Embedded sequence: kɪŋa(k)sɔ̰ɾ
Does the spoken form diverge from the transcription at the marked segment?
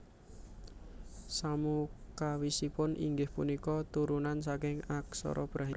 no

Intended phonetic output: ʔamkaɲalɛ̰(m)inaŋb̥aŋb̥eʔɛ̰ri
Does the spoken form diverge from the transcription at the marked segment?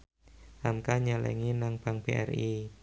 yes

